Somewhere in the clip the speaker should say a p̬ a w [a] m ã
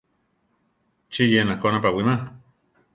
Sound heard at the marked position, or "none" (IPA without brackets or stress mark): i